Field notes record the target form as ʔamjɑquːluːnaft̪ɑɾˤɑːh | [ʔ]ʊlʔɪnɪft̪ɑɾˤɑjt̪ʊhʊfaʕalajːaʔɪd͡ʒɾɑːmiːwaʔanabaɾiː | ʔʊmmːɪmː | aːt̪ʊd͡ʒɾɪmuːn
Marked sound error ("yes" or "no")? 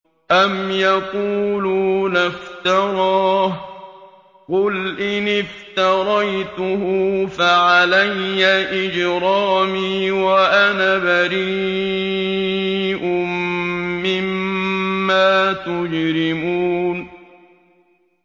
yes